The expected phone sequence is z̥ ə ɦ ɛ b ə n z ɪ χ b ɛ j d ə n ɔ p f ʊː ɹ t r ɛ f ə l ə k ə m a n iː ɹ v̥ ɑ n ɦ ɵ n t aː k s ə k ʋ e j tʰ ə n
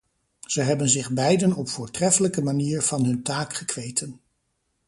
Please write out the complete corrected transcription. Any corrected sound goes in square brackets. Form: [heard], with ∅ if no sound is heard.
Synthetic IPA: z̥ ə ɦ ɛ b ə n z ɪ χ b ɛ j d ə n ɔ p f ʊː ɹ t r ɛ f ə l ə k ə m a n iː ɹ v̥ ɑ n ɦ ɵ n t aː k [χ] ə k ʋ e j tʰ ə n